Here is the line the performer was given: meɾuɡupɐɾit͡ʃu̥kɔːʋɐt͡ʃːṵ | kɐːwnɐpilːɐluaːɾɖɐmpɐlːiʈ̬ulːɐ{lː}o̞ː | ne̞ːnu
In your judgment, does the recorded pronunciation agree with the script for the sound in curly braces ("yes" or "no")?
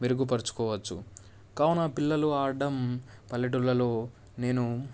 no